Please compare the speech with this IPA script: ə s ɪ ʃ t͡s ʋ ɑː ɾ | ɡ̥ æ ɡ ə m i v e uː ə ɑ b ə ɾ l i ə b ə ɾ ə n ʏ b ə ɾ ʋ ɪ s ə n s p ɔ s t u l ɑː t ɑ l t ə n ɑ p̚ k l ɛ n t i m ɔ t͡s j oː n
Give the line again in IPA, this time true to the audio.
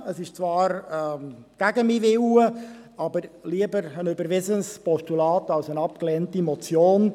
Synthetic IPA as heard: ə s ɪ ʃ t͡s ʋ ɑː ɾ | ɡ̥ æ ɡ ə m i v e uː ə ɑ b ə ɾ l i ə b ə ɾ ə n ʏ b ə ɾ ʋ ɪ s ə n s p ɔ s t u l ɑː t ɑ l s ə n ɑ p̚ k l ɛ n t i m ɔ t͡s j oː n